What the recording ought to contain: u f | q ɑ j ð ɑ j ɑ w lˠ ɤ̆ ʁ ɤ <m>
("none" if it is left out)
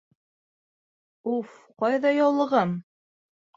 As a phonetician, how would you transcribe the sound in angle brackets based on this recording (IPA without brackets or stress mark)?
m